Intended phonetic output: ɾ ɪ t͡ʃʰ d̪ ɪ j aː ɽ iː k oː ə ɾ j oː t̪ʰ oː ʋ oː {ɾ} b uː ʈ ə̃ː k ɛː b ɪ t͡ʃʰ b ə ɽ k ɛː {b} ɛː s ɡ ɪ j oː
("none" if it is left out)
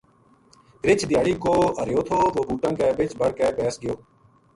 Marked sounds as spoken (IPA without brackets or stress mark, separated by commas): none, p